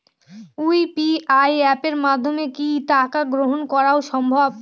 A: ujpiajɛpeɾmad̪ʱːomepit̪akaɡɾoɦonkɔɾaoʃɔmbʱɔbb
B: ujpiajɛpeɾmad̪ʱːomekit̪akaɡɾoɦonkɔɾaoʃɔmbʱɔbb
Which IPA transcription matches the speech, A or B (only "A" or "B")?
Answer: B